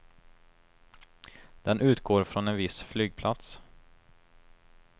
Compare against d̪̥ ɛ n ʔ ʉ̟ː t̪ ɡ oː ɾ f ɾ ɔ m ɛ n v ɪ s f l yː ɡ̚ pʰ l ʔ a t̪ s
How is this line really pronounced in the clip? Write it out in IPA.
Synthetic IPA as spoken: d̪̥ ɛ n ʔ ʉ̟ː t̪ ɡ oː ɾ f ɾ ɔ n ɛ n v ɪ s f l yː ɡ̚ pʰ l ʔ a t̪ s